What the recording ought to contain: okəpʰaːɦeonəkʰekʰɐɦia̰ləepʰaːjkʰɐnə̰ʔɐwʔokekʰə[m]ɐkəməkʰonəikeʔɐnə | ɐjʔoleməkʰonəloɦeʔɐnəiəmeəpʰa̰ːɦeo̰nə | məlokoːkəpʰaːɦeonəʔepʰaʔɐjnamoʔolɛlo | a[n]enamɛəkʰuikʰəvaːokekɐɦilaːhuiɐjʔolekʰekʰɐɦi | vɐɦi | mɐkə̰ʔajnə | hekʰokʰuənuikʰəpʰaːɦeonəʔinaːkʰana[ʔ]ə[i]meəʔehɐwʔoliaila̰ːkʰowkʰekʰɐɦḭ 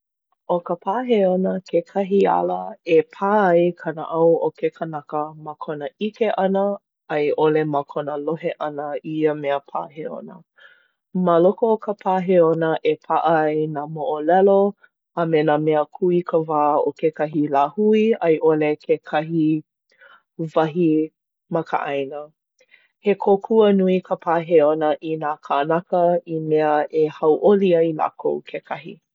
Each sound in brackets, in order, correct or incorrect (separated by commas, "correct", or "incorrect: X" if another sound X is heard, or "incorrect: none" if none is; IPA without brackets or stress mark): incorrect: n, incorrect: m, incorrect: k, correct